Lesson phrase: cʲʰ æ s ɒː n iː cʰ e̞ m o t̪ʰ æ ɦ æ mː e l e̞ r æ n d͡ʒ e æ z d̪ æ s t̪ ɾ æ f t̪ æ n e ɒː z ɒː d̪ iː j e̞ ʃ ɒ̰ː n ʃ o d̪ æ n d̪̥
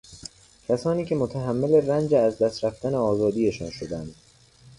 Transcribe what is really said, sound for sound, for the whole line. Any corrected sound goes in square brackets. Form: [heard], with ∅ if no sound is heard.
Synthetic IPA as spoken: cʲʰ æ s ɒː n iː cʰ e̞ m o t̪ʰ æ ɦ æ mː e l e̞ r æ n d͡ʒ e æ z d̪ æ s t̪ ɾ æ f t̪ æ n e ɒː z ɒː d̪ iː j e̞ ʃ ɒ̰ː n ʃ o d̪ æ n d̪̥